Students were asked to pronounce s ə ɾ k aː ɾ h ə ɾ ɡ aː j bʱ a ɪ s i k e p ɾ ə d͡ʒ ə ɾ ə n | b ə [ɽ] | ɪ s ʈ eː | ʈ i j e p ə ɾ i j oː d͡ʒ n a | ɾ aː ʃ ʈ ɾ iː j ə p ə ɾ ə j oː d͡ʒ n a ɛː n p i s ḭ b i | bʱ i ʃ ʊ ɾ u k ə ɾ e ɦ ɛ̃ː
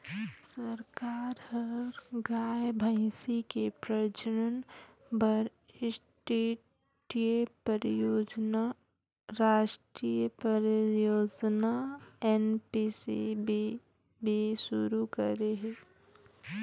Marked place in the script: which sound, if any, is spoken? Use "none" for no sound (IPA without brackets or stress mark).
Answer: ɾ